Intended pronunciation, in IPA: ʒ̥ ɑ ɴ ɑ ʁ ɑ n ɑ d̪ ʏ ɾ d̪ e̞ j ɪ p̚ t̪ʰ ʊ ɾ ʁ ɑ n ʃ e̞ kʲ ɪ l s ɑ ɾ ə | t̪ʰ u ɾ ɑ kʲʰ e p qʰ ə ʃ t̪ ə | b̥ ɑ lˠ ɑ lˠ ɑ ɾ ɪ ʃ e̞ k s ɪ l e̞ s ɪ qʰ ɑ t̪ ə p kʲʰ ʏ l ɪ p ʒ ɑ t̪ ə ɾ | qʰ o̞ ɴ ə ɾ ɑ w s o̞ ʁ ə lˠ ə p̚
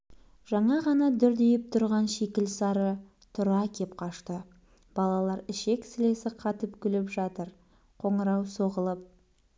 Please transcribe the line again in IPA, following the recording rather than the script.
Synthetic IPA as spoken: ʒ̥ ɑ ɴ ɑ ʁ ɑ n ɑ d̪ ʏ ɾ d̪ e̞ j ɪ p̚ t̪ʰ ʊ ɾ ʁ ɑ n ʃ e̞ kʲ ɪ l s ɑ ɾ ə | t̪ʰ ʊ ɾ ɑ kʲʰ e p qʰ ɑ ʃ t̪ ə | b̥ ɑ lˠ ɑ lˠ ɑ ɾ ɪ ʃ e̞ k s ɪ l e̞ s ɪ qʰ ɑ t̪ ə p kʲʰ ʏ l ɪ p ʒ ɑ t̪ ə ɾ | qʰ o̞ ɴ ə ɾ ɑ w s o̞ ʁ ə lˠ ə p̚